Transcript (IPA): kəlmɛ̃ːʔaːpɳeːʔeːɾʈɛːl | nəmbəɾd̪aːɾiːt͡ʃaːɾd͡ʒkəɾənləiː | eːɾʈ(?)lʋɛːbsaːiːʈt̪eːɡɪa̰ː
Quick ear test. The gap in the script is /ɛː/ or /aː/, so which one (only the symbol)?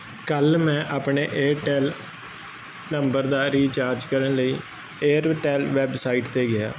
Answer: ɛː